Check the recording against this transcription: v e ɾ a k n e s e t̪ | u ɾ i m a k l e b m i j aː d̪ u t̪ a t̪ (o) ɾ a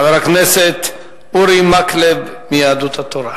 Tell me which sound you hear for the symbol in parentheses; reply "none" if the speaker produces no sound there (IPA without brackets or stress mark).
o